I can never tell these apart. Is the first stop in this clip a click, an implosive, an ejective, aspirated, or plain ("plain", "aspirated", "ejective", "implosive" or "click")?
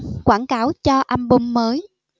plain